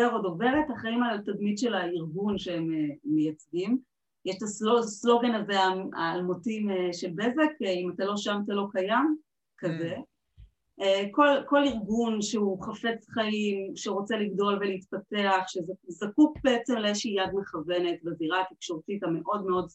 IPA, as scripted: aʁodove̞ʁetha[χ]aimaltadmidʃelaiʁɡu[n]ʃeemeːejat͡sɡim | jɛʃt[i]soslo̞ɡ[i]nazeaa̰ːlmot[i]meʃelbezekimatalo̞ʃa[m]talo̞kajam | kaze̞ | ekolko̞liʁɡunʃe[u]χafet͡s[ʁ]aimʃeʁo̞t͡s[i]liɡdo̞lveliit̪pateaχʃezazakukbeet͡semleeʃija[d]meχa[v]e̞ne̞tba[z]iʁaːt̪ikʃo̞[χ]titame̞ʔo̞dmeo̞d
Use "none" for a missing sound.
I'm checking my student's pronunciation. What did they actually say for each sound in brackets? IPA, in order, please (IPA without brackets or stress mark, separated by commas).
χ, n, a, e, i, m, u, χ, e, d, v, z, ʁ